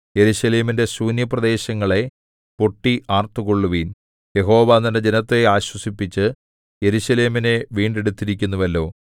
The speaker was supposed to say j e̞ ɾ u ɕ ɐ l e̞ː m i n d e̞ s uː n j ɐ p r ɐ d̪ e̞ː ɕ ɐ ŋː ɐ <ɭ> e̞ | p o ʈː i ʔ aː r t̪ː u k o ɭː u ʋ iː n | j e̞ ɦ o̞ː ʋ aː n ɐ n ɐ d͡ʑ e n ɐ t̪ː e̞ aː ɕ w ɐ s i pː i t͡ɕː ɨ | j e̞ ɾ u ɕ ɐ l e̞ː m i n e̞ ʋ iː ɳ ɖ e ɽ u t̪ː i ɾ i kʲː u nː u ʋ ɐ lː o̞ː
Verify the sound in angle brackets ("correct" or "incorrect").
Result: correct